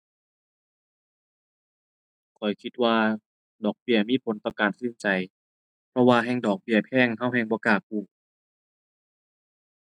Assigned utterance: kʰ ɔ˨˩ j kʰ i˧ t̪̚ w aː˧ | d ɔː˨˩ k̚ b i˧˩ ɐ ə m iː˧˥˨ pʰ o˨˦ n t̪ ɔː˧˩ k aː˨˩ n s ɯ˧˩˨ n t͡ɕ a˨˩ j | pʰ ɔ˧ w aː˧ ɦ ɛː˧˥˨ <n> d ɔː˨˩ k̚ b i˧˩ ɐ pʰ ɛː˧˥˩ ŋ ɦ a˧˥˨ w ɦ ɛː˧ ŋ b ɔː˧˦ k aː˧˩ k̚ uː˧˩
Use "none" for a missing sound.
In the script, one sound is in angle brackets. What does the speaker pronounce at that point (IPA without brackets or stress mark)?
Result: ŋ